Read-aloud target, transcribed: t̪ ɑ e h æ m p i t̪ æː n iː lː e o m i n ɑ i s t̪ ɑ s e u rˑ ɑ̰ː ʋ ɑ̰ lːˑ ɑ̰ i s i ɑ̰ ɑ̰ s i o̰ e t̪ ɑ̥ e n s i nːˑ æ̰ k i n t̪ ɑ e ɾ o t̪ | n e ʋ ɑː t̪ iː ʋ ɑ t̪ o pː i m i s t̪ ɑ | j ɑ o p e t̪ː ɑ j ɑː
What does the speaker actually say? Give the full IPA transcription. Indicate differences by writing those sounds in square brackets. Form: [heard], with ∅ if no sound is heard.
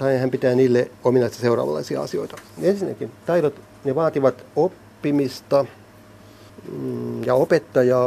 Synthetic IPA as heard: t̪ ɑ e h æ m p i t̪ æː n iː lː e o m i n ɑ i s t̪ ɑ s e u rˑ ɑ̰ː ʋ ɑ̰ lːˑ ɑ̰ i s i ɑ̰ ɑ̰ s i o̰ [i] t̪ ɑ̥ e n s i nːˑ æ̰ k i n t̪ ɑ [i] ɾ o t̪ | n e ʋ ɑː t̪ [i] ʋ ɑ t̪ o pː i m i s t̪ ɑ | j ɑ o p e t̪ː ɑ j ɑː